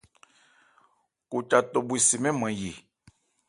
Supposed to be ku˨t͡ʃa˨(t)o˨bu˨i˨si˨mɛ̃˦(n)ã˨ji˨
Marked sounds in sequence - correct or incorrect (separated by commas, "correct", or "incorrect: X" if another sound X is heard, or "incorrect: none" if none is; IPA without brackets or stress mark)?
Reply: correct, incorrect: m